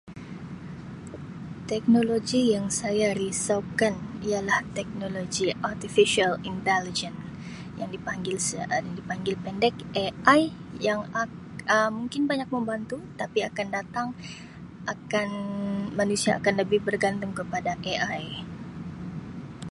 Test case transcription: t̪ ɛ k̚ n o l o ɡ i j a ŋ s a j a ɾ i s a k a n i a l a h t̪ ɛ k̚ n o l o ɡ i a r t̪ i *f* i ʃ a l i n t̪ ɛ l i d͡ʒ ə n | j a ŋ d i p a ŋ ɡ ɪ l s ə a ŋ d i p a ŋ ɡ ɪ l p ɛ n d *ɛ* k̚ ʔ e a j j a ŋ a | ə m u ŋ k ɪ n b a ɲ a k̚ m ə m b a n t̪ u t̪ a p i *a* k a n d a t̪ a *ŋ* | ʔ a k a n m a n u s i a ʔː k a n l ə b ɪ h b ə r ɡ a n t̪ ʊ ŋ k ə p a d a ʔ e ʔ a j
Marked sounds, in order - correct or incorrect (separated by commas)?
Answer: correct, correct, correct, correct